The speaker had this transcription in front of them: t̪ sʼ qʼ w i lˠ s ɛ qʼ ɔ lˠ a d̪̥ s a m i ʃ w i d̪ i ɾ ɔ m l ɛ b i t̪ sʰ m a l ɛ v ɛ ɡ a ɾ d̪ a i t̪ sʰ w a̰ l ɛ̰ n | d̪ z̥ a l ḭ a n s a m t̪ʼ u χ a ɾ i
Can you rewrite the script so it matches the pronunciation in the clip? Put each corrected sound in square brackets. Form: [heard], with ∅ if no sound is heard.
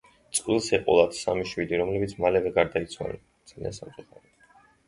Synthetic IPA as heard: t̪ sʼ qʼ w i lˠ s ɛ qʼ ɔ lˠ a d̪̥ s a m i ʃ w i d̪ i ɾ ɔ m l ɛ b i t̪ sʰ m a l ɛ v ɛ ɡ a ɾ d̪ a i t̪ sʰ w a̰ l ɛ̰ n | d̪ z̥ a l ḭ a n s a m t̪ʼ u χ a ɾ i